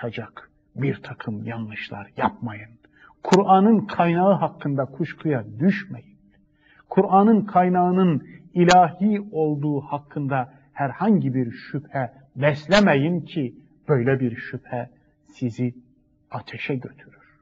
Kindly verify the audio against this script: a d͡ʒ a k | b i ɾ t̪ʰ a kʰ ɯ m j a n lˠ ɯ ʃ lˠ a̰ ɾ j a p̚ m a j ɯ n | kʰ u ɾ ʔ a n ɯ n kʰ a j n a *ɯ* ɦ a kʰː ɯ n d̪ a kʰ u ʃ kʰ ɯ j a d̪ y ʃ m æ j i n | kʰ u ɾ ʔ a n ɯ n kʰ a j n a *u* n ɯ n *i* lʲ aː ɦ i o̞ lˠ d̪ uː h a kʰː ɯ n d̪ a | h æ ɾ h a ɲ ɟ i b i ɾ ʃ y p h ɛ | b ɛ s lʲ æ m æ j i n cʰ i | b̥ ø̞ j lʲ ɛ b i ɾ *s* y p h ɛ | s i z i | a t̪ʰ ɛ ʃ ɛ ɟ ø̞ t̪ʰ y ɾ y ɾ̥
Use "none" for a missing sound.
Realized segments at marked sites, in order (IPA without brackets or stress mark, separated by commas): ɯ, ɯ, i, ʃ